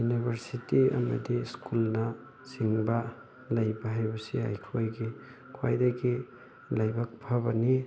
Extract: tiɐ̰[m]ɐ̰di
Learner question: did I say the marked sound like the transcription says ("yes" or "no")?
yes